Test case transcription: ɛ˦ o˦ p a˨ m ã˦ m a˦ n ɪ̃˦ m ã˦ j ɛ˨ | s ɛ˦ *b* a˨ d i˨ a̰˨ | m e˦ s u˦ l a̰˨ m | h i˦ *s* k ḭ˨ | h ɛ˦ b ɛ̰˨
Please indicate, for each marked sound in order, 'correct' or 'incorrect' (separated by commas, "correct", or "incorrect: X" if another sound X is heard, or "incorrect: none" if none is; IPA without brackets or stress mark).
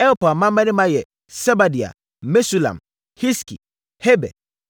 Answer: correct, correct